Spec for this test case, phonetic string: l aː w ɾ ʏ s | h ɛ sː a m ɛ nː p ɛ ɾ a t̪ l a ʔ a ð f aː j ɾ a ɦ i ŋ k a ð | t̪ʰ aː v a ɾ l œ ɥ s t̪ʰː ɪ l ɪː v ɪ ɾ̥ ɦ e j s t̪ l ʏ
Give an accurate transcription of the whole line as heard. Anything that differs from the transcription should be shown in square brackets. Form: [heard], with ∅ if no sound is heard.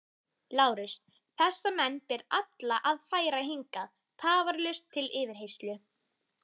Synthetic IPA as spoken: l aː w ɾ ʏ s | [θ] ɛ sː a m ɛ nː p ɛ ɾ a t̪ l a ʔ a ð f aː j ɾ a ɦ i ŋ k a ð | t̪ʰ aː v a ɾ l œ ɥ s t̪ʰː ɪ l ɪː v ɪ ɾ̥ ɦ e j s t̪ l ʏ